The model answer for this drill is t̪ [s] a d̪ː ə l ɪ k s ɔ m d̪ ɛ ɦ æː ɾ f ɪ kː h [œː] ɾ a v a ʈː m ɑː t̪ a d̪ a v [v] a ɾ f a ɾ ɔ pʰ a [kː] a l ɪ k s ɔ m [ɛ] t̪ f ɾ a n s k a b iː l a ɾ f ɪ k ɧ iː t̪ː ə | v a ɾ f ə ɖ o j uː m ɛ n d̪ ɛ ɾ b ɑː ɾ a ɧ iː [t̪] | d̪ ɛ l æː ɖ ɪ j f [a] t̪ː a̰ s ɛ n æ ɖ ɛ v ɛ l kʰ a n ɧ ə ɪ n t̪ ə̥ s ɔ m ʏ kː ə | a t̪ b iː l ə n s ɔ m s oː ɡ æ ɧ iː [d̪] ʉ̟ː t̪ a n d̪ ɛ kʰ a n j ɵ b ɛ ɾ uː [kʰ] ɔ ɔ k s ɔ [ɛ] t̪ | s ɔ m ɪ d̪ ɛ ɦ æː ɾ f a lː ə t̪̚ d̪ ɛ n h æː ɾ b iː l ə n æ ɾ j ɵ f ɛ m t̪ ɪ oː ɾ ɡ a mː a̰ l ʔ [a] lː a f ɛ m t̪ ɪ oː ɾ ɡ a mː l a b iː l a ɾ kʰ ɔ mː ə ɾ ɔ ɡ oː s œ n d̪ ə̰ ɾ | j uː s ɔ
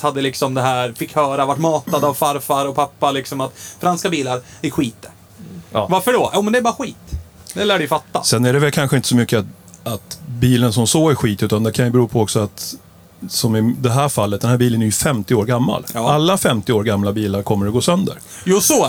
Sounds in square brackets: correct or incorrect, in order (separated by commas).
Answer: incorrect, correct, incorrect, incorrect, incorrect, correct, correct, incorrect, incorrect, incorrect, correct